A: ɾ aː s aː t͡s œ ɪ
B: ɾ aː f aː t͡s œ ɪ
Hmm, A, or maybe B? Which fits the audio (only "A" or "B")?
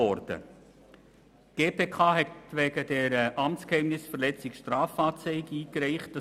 B